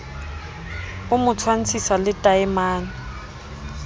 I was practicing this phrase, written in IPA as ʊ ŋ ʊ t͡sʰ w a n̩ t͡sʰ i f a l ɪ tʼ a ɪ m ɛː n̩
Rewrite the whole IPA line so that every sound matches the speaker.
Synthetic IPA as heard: ʊ m ʊ t͡sʰ w a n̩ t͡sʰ i s a l ɪ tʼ a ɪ m aː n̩